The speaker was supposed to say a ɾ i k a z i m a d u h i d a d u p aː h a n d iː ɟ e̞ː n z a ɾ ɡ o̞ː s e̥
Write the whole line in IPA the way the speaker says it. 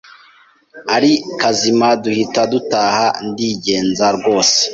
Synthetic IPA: a ɾ i k a z i m a d u h i t a d u t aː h a n d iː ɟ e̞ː n z a ɾ ɡ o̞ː s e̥